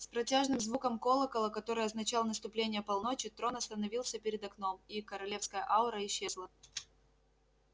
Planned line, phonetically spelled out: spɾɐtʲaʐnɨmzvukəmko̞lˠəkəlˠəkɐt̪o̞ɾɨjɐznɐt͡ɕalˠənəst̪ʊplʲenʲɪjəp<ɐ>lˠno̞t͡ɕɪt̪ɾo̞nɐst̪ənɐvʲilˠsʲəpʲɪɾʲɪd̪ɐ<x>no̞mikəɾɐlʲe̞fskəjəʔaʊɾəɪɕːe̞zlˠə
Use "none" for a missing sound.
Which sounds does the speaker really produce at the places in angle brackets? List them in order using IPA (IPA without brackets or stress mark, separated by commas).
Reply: ɐ, k